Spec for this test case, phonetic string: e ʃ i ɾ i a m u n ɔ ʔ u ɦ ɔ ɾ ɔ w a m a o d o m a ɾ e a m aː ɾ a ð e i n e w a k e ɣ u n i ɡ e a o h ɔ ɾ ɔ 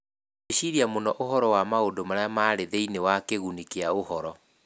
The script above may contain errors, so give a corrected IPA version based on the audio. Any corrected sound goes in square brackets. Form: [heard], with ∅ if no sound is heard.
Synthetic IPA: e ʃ i ɾ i a m [o] n ɔ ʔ [o] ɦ ɔ ɾ ɔ w a m a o d o m a ɾ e a m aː ɾ [e] ð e i n e w a k e ɣ u n i [k] e a o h ɔ ɾ ɔ